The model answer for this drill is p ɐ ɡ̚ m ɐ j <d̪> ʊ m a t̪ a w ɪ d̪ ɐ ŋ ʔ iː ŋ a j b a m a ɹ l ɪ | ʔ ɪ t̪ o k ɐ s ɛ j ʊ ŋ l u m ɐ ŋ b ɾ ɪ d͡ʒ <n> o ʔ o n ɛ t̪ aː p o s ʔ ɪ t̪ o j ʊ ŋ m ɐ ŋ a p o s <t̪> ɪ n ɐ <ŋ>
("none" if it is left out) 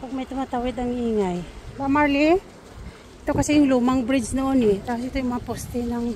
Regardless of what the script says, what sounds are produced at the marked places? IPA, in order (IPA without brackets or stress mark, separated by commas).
t̪, n, t̪, ŋ